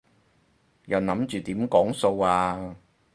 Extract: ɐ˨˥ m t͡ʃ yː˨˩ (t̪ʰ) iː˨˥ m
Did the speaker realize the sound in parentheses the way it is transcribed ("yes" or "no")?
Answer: no